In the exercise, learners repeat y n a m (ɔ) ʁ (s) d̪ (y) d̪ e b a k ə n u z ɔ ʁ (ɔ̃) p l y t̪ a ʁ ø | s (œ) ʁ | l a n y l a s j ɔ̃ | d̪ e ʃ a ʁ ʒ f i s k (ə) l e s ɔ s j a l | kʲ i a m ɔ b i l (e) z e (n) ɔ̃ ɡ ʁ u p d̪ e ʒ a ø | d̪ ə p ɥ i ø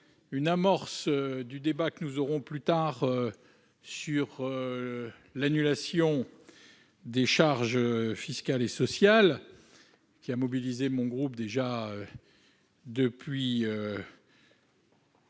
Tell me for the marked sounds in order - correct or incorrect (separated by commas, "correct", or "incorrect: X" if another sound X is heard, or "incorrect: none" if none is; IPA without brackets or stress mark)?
correct, correct, correct, correct, incorrect: y, incorrect: a, incorrect: i, incorrect: m